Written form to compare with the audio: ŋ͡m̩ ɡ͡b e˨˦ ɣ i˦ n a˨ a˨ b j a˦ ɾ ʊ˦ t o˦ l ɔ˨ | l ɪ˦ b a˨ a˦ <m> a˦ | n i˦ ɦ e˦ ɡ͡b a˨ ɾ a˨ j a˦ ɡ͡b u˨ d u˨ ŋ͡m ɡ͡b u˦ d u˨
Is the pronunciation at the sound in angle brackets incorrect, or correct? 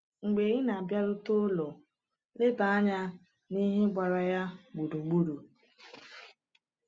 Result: incorrect